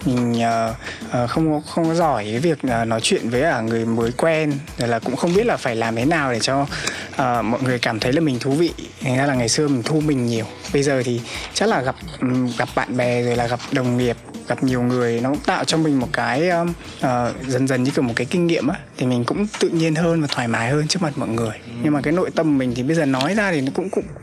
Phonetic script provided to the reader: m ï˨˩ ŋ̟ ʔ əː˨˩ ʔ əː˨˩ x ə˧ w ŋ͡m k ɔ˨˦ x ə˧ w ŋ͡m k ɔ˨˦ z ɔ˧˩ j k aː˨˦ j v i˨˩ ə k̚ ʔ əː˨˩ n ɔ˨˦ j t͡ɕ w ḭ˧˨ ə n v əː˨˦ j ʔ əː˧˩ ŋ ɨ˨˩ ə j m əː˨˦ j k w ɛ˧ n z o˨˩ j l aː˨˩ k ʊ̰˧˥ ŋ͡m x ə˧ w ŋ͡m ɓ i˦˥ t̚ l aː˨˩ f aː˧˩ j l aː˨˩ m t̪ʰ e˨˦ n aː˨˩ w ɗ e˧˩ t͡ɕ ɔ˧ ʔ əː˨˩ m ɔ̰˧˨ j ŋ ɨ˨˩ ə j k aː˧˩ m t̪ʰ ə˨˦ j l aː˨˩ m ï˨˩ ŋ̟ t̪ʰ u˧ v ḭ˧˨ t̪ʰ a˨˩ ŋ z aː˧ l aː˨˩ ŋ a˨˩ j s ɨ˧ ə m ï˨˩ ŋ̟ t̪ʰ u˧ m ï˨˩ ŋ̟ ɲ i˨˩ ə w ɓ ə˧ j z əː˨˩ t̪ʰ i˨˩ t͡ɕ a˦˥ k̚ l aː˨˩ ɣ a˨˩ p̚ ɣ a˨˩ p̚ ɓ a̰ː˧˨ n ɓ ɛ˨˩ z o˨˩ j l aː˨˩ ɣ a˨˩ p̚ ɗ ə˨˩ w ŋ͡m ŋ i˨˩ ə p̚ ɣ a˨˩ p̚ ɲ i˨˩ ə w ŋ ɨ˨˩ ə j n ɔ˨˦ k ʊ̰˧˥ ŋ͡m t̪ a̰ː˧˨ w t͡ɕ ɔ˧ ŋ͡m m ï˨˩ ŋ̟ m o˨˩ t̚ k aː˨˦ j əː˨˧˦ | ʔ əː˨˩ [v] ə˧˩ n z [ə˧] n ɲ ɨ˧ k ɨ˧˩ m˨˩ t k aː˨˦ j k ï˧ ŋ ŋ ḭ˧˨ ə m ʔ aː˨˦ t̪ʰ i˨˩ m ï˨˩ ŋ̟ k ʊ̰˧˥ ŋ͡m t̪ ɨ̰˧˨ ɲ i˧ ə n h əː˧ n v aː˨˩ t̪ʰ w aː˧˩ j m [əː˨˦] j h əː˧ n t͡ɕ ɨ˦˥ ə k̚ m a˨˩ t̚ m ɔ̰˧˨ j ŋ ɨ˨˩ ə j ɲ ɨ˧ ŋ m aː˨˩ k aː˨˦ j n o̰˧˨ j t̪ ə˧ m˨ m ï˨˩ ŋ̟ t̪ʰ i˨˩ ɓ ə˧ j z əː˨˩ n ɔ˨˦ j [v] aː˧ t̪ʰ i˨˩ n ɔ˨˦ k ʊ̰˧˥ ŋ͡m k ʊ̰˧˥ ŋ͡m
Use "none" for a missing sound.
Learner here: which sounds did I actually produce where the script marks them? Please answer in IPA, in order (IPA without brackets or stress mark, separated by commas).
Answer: z, ə˨˩, aː˨˦, z